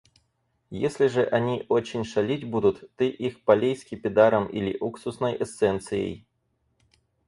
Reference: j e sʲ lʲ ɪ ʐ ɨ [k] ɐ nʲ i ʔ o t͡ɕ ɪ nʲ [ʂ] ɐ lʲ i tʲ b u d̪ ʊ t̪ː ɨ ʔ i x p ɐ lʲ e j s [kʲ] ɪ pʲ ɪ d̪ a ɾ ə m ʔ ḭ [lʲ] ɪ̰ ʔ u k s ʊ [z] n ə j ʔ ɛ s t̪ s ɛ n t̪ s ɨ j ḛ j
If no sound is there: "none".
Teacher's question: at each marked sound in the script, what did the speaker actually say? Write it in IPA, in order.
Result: ʔ, ʂ, kʲ, lʲ, s

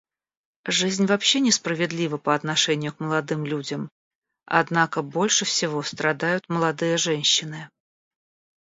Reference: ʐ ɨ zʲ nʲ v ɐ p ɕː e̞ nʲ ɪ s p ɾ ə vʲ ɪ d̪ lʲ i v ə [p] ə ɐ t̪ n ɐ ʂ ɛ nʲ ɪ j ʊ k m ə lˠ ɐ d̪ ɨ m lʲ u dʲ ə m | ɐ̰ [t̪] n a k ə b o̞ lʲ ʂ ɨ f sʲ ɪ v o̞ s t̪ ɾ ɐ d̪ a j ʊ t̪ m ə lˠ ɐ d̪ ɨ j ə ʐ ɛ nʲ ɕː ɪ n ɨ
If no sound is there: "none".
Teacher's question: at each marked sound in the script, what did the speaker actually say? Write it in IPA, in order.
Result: p, d̪

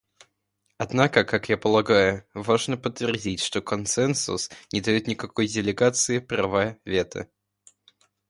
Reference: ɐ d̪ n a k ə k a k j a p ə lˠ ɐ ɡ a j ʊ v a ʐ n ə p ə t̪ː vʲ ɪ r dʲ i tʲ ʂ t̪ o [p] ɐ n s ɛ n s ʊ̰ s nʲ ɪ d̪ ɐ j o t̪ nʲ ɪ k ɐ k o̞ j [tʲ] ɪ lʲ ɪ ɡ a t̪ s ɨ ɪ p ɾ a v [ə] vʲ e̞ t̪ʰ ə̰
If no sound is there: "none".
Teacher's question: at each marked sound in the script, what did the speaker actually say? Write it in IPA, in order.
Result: k, dʲ, a

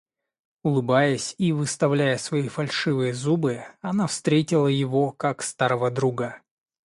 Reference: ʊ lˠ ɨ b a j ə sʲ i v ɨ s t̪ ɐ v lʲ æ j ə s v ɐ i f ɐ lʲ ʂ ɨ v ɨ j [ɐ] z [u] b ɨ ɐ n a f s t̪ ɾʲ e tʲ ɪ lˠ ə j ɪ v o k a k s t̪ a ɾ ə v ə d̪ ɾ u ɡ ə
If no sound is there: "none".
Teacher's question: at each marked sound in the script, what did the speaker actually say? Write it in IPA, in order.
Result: ə, u

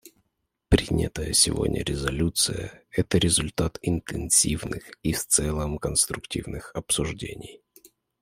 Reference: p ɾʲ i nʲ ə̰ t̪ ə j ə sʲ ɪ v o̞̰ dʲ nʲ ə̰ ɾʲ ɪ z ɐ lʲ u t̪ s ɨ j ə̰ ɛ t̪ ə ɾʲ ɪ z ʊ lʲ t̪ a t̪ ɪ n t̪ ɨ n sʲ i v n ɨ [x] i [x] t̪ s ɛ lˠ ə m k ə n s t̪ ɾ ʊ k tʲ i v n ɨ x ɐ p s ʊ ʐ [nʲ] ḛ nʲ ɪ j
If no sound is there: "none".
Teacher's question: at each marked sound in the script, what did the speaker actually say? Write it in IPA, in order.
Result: x, f, dʲ

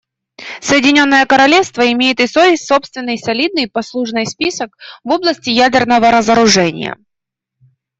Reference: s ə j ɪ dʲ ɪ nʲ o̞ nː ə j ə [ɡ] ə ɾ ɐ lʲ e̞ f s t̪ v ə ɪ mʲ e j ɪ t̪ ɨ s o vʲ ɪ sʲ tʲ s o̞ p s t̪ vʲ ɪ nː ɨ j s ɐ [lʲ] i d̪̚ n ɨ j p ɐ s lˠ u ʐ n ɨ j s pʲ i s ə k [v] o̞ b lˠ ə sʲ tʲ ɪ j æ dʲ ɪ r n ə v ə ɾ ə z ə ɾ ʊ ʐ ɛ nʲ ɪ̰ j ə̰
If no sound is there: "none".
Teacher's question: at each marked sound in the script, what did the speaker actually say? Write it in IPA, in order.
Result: k, lʲ, v

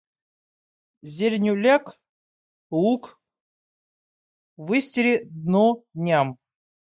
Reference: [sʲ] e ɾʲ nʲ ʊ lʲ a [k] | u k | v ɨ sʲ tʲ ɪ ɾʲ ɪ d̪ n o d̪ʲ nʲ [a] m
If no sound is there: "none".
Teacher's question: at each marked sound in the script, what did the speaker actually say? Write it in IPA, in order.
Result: zʲ, k, a

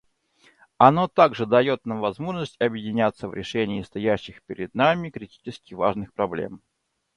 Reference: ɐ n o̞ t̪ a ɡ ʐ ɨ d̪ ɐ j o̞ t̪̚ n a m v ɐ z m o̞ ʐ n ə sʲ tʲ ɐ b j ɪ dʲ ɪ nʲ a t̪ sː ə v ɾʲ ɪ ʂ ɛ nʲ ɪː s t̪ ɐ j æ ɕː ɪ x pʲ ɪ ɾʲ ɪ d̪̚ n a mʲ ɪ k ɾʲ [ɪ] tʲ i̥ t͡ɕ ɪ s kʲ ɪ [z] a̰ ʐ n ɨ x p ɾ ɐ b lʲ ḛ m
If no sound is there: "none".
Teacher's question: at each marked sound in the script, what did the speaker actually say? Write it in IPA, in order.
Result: ɪ, v

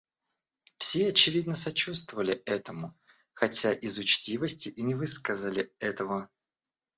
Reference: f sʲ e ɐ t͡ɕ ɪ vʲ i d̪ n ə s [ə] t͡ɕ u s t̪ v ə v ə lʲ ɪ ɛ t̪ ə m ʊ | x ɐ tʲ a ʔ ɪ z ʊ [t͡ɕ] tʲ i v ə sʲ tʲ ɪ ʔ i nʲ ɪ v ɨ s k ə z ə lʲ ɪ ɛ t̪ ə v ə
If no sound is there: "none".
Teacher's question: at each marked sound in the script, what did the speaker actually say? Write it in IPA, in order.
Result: ɐ, t͡ɕ

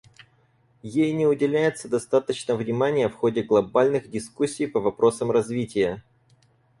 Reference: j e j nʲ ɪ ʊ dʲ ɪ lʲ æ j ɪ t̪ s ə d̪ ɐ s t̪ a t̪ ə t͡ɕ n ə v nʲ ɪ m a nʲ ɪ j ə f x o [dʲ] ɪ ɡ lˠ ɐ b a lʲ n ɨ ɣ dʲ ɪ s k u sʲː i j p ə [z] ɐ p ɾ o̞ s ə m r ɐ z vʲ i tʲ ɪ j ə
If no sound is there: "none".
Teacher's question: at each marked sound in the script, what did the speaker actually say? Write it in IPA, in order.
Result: dʲ, v

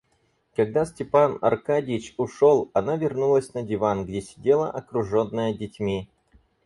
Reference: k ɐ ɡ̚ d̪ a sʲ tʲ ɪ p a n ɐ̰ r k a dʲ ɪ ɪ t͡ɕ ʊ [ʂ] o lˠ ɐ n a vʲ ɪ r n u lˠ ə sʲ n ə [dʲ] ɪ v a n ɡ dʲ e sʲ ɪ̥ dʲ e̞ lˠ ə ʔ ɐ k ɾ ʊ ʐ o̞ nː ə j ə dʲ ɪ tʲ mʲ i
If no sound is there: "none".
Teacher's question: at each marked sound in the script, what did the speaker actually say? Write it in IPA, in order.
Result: ʂ, dʲ

